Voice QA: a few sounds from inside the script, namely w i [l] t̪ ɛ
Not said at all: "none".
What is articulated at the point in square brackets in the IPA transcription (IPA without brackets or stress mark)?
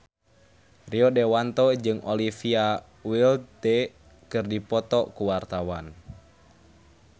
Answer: l